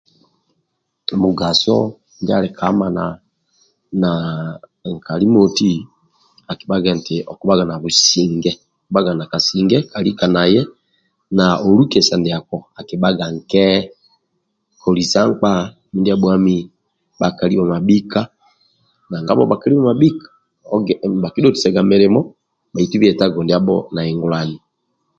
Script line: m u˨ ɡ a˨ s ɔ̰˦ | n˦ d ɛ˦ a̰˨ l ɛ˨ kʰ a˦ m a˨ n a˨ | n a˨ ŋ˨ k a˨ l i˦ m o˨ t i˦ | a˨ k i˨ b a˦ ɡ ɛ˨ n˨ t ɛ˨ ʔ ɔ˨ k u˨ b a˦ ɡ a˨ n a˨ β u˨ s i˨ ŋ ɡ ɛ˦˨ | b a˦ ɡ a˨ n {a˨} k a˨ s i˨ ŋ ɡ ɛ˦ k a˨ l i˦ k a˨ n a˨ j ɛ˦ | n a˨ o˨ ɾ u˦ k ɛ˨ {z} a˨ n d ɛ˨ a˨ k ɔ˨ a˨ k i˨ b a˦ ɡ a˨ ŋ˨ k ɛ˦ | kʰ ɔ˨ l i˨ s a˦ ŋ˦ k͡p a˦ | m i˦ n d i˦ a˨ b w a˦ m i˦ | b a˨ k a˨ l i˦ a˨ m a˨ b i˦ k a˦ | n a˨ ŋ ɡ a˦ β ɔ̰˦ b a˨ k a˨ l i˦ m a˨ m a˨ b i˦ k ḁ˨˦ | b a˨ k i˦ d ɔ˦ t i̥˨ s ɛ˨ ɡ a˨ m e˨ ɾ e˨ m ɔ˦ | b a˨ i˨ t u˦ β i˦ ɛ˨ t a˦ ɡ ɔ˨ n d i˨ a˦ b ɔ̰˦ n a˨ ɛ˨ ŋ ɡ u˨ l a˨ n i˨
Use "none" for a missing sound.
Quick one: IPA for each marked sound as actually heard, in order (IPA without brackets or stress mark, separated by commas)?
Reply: a˨, s